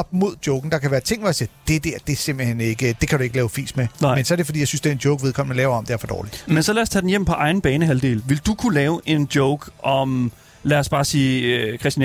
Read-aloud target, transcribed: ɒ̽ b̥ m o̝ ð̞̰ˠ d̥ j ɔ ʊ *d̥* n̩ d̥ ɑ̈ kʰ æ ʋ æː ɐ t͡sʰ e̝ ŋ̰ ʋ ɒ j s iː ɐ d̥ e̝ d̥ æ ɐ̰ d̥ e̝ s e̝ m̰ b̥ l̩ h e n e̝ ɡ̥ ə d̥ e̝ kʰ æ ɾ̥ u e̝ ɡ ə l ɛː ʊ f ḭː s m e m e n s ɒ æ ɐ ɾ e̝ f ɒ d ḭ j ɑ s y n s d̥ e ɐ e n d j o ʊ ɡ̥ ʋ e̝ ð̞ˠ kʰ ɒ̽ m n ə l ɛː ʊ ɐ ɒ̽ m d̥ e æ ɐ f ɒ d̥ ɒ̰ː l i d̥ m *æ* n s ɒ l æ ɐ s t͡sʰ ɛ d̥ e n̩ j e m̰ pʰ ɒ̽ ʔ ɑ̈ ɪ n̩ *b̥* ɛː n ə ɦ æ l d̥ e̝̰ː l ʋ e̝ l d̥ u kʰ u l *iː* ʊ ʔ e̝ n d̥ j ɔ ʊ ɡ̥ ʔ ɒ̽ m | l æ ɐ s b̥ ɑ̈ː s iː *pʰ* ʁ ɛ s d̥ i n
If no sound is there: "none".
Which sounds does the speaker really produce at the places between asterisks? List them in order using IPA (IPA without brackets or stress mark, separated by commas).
ɡ̥, e, b̥, ɛː, kʰ